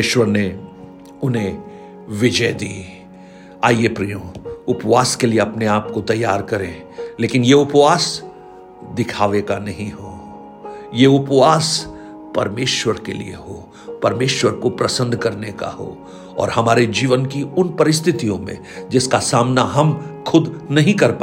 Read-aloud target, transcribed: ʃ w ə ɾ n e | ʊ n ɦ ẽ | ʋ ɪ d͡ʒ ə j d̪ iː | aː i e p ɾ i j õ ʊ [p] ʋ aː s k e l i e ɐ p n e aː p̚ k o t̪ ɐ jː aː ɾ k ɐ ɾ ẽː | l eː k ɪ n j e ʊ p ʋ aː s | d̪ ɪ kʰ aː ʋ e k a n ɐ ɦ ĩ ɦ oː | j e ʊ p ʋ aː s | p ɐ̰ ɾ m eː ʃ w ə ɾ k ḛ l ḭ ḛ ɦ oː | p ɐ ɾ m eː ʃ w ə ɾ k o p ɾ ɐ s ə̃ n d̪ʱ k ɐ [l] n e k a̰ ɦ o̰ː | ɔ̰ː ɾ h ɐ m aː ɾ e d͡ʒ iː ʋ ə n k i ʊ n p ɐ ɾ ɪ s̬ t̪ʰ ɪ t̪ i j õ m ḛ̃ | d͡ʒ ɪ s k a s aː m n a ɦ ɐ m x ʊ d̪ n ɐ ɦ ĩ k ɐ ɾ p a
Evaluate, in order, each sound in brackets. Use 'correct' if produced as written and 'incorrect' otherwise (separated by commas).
correct, incorrect